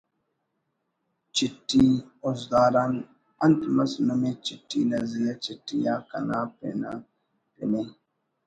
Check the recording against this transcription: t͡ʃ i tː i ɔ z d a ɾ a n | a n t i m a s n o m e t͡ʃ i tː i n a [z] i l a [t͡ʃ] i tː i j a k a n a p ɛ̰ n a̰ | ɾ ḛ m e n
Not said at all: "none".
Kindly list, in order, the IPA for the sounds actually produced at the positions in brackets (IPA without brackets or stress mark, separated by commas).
z, t͡ʃ